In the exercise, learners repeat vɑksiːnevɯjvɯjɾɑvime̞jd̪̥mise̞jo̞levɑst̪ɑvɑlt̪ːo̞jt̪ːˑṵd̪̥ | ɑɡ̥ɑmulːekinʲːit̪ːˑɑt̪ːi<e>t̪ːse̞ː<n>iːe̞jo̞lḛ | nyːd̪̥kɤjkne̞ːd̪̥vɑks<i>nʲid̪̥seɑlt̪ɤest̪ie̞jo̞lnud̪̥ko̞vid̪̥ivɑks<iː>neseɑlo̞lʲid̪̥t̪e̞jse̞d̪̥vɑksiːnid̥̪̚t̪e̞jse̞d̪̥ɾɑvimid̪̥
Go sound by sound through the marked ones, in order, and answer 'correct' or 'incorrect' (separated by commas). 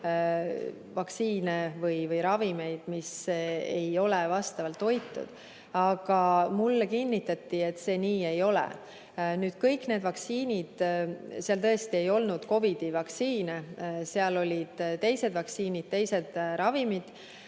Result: correct, correct, incorrect, correct